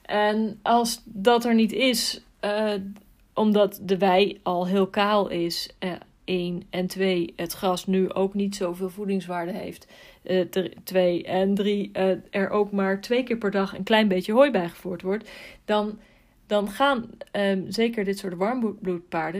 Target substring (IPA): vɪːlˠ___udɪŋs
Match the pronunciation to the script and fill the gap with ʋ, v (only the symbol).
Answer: v